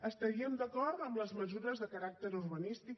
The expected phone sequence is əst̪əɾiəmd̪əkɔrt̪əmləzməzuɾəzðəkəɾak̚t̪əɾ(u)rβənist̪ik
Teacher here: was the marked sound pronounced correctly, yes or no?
yes